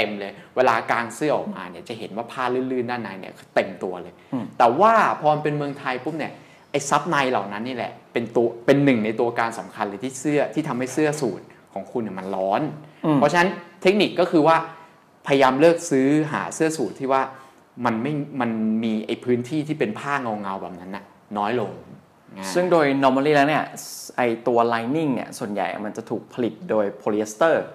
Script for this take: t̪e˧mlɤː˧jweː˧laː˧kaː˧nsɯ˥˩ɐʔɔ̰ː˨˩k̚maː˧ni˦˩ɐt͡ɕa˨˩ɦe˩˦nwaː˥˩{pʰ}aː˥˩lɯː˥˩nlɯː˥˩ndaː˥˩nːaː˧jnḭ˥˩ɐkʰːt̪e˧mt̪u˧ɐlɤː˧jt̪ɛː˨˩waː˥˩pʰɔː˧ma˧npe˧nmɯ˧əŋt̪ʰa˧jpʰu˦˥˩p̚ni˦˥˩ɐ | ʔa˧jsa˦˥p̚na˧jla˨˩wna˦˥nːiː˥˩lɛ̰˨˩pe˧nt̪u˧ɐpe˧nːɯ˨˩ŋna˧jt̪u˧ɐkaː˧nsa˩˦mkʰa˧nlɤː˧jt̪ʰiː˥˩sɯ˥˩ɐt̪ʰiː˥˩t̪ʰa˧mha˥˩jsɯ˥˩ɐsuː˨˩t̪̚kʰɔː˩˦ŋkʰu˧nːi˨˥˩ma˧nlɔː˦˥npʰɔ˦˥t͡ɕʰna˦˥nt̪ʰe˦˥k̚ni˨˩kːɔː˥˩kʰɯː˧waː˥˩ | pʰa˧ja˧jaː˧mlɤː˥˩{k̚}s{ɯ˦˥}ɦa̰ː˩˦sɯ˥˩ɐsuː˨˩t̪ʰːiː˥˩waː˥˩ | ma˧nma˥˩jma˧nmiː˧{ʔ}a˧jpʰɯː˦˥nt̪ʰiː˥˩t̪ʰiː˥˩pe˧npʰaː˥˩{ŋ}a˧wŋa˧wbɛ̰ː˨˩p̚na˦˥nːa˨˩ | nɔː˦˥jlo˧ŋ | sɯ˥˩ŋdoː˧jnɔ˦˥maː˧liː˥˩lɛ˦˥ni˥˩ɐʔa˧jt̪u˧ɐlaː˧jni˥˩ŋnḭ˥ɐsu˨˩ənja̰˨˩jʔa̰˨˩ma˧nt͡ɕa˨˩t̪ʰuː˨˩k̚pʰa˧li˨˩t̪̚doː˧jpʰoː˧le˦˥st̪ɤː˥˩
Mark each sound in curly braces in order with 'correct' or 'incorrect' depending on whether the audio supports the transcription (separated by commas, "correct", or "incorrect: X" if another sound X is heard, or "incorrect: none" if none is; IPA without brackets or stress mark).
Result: correct, correct, incorrect: ɯː˦˥, correct, correct